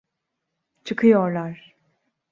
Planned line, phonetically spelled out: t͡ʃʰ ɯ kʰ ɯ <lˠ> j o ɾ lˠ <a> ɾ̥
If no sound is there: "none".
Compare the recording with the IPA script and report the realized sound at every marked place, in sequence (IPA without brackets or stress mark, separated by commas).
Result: none, a